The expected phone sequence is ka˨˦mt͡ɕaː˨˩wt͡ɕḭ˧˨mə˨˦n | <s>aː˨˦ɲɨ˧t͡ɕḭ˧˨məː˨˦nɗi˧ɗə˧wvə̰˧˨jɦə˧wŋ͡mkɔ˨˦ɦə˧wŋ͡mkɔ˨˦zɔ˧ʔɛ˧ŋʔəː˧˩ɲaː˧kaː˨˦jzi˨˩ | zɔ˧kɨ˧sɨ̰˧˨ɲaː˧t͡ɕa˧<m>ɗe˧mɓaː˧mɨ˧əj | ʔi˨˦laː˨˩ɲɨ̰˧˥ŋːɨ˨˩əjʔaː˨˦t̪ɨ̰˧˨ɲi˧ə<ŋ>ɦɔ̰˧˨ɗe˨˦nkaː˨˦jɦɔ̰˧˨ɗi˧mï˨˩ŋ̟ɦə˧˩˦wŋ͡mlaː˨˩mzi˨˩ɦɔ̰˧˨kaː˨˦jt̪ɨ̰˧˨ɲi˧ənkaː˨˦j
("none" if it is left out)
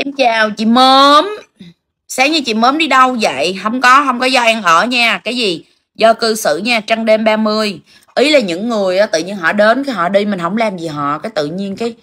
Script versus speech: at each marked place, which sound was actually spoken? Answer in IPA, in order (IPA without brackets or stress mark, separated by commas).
s, ŋ, n